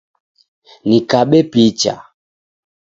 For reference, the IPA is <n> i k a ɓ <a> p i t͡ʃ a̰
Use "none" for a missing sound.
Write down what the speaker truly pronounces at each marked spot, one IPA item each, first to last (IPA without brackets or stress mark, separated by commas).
n, ɛ